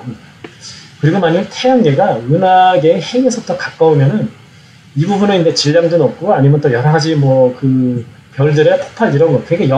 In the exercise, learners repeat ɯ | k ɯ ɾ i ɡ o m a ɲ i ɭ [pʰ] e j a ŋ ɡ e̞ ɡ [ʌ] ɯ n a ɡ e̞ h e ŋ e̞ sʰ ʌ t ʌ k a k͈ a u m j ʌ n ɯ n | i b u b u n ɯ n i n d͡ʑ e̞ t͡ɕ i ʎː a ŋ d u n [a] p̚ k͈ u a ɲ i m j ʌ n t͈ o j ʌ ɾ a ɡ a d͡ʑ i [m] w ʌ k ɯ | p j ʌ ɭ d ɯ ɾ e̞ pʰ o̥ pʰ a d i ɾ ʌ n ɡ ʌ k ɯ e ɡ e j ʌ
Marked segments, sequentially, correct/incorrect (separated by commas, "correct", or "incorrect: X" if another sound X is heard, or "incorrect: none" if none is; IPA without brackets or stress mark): incorrect: tʰ, incorrect: a, incorrect: ʌ, correct